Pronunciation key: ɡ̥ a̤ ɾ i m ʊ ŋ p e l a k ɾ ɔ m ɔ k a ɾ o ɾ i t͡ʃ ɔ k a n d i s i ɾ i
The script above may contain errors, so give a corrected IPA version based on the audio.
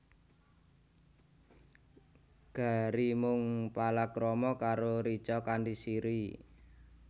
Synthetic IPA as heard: ɡ̥ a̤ ɾ i m ʊ ŋ p a l a k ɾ ɔ m ɔ k a ɾ o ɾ i t͡ʃ ɔ k a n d i s i ɾ i